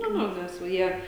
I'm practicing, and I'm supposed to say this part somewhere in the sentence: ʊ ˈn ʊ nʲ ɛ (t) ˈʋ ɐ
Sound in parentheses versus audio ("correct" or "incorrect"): incorrect